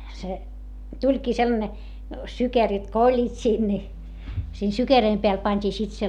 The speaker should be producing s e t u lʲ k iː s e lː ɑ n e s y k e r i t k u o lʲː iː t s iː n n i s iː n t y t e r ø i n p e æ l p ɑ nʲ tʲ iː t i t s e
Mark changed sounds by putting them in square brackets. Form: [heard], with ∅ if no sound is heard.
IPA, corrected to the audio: s e t u lʲ k iː s e lː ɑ n e s y k e r i t k [o] o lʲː iː t s iː n n i s iː n [s] y [k] e r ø i [m] p e æ l p ɑ nʲ tʲ iː [s] i t s e